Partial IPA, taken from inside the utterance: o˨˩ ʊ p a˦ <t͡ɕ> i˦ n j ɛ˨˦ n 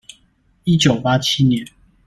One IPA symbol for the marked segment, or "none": t͡ɕʰ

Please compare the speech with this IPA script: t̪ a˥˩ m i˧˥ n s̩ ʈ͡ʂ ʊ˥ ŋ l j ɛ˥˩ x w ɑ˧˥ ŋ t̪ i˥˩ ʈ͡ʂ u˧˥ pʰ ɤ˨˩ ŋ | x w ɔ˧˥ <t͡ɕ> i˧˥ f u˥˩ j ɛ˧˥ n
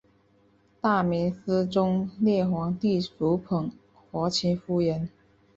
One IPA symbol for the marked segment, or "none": t͡ɕʰ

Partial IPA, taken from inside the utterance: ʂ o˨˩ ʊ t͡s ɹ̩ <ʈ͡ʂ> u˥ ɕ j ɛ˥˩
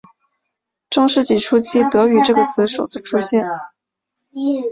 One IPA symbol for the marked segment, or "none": ʈ͡ʂʰ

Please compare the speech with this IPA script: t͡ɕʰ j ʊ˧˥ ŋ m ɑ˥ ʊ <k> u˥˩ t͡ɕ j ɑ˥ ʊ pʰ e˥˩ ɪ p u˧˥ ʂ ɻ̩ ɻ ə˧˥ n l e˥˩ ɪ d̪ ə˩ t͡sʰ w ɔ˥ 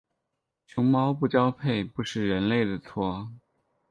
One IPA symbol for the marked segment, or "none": p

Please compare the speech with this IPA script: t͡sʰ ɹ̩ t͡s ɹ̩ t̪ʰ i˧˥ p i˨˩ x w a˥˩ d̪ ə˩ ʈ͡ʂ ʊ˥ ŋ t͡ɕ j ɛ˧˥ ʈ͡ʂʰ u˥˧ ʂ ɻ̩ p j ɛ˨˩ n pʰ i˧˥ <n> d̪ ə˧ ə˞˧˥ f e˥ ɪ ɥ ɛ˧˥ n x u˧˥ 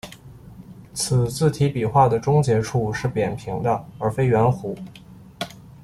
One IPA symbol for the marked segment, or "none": ŋ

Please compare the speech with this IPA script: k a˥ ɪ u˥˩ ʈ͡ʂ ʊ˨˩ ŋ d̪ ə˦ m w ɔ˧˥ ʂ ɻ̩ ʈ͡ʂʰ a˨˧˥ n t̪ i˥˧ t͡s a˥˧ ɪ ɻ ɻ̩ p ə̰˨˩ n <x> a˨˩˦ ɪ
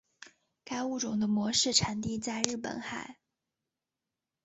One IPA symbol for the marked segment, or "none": x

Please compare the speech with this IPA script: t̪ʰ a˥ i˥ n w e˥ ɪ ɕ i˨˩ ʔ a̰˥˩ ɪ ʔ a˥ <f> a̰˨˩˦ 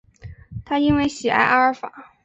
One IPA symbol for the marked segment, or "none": f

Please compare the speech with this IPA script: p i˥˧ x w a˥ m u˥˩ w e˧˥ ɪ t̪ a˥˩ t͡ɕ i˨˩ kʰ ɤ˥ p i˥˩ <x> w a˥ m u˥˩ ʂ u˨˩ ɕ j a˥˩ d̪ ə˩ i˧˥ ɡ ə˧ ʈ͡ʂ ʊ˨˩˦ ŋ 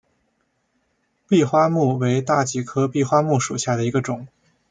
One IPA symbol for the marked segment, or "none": x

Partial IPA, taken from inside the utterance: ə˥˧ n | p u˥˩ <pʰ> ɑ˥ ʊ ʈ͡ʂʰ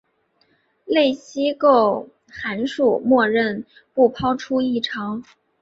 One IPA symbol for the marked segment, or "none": pʰ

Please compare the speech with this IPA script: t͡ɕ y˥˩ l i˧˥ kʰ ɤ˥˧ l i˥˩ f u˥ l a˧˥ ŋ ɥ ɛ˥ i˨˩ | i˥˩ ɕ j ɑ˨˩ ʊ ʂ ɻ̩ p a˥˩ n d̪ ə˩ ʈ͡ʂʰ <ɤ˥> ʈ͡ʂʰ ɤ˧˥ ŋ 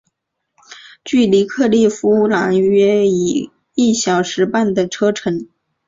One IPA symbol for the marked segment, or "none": ɤ˥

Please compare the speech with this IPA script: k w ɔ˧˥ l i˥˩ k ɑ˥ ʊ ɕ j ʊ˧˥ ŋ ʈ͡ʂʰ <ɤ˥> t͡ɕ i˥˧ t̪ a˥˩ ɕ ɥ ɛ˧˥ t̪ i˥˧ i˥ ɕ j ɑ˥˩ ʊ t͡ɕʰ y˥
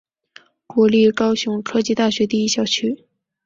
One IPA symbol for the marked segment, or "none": ɤ˥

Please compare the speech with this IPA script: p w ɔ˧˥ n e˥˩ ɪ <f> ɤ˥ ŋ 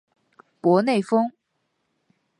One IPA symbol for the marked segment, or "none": f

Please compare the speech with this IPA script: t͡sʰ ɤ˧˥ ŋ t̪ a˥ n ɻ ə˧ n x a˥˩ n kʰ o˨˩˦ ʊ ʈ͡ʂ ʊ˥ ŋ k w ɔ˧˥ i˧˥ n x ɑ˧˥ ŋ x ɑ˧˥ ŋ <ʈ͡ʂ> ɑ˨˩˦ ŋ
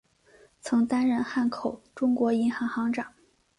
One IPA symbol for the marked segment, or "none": ʈ͡ʂ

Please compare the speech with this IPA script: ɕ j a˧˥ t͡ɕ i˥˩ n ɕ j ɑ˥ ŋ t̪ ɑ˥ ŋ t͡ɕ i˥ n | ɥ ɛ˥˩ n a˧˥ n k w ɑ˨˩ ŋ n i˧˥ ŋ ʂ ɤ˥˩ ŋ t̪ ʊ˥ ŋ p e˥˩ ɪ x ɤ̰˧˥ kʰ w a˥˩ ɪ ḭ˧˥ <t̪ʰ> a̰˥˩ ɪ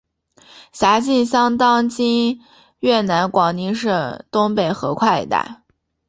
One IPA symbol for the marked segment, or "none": t̪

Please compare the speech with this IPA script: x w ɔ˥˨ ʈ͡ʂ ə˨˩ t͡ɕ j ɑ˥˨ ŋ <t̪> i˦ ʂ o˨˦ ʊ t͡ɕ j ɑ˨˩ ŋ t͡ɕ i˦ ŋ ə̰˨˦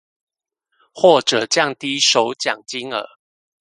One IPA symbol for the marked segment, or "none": t̪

